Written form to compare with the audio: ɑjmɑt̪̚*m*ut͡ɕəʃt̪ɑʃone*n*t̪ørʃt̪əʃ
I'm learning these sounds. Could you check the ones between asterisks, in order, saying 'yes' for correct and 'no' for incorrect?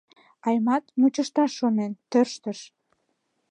yes, yes

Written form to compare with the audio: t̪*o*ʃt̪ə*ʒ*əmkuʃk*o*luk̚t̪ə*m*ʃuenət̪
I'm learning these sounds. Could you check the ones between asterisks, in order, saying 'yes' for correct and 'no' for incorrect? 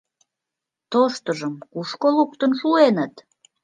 yes, yes, yes, no

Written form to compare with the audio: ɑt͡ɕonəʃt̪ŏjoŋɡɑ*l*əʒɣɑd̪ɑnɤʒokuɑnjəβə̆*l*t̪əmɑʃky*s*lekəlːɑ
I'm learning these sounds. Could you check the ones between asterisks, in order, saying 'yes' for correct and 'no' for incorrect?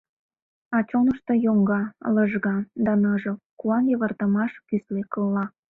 yes, no, yes

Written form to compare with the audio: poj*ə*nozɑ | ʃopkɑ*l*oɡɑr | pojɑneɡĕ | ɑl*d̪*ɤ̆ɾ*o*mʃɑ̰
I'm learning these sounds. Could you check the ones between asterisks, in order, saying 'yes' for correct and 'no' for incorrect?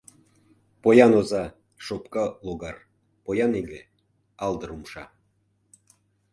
no, yes, yes, no

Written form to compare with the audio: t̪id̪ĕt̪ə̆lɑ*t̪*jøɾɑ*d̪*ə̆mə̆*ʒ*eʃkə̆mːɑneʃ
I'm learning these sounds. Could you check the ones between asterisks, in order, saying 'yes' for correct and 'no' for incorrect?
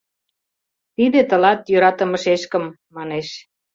yes, no, no

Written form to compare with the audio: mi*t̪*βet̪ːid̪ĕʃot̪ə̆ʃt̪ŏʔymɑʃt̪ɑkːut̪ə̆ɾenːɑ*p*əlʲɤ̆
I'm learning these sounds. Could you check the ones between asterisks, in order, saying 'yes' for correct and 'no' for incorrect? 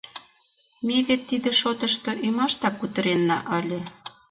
no, no

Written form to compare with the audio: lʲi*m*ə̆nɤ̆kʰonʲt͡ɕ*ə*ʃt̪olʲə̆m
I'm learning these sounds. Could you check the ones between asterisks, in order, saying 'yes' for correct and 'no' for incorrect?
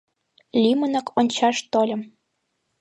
yes, no

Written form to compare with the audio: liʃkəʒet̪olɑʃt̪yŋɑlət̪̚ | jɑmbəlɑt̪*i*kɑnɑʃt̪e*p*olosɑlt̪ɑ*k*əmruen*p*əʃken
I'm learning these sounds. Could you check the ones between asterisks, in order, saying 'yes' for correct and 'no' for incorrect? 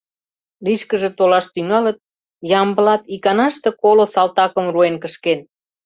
yes, no, yes, no

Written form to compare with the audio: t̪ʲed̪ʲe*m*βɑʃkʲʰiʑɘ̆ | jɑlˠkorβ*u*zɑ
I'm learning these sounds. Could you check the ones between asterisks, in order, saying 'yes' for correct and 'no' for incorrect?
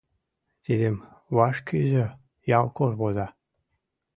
yes, no

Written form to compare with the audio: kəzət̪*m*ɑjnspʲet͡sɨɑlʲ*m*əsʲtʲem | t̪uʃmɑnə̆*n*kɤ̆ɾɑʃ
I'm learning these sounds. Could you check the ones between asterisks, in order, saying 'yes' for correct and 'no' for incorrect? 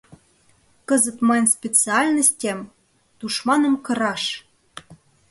yes, no, no

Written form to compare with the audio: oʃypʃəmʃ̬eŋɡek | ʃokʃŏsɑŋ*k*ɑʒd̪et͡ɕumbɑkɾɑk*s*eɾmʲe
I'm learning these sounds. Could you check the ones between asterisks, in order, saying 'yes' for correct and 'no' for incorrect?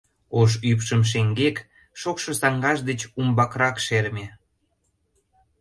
no, no

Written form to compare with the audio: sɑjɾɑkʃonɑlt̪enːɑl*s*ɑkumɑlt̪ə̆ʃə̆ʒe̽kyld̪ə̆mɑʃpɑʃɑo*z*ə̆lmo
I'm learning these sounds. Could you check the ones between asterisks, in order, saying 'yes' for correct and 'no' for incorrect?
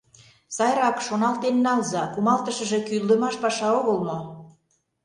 no, no

